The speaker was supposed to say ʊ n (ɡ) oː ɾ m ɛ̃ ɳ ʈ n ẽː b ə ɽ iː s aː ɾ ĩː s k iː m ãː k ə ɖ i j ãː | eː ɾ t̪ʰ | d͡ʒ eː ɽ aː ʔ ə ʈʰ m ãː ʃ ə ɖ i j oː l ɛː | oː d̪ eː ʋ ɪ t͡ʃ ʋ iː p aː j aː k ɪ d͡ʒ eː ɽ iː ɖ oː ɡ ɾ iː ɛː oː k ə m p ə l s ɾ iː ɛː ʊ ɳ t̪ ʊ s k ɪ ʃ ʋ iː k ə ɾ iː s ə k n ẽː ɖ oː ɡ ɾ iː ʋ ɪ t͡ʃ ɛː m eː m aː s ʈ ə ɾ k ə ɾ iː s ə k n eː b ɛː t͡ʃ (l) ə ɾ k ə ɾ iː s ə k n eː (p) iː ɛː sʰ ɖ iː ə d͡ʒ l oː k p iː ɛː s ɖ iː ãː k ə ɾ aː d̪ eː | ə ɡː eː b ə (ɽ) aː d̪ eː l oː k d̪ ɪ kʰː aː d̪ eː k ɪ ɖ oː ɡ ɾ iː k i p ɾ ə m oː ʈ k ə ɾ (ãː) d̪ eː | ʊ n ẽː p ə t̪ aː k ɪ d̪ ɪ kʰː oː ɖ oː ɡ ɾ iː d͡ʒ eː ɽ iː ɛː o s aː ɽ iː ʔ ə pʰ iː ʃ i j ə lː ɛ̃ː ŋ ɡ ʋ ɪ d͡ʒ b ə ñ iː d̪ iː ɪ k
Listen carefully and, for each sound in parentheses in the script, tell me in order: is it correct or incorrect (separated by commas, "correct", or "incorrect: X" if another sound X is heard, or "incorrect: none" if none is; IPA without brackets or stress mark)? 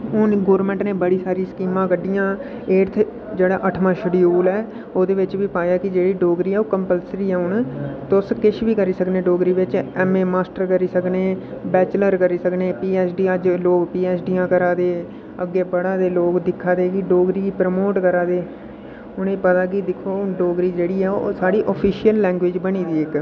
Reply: correct, correct, correct, correct, incorrect: aː